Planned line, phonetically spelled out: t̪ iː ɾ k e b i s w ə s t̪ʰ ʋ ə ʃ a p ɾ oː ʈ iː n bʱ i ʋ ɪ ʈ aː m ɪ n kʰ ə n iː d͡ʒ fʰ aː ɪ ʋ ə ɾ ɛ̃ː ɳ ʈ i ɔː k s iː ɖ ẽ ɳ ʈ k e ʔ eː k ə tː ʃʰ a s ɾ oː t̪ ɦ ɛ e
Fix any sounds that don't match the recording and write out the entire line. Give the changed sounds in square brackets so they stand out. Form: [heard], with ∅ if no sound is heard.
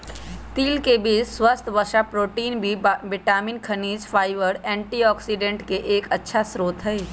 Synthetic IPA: t̪ iː [l] k e b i s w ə s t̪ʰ ʋ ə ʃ a p ɾ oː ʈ iː n bʱ i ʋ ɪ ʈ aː m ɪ n kʰ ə n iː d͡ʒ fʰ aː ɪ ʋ ə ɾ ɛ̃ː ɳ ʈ i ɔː k s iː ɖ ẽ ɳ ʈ k e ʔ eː k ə tː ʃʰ a s ɾ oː t̪ ɦ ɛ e